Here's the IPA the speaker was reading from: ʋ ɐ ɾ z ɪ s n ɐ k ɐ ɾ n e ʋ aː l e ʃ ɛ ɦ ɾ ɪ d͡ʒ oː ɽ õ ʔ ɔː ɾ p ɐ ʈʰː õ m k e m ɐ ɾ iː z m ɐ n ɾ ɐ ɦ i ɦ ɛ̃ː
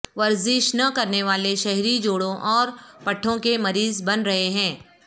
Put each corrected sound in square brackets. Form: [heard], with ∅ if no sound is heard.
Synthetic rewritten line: ʋ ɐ ɾ z ɪ [ʃ] n ɐ k ɐ ɾ n e ʋ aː l e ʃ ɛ ɦ ɾ [i] d͡ʒ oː ɽ õ ʔ ɔː ɾ p ɐ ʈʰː õ [∅] k e m ɐ ɾ iː z [b] ɐ n ɾ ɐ ɦ [e] ɦ ɛ̃ː